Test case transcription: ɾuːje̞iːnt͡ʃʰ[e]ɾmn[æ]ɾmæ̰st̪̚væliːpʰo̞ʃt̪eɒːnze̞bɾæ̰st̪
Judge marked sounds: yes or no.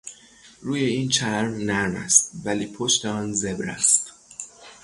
no, yes

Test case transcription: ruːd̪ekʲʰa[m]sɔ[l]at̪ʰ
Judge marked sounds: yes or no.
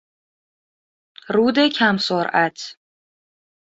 yes, no

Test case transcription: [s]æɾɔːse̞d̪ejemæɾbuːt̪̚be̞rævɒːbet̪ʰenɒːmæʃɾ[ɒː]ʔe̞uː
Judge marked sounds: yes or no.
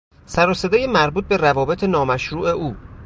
yes, no

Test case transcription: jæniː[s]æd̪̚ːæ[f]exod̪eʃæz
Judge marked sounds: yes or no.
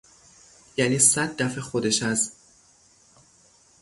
yes, yes

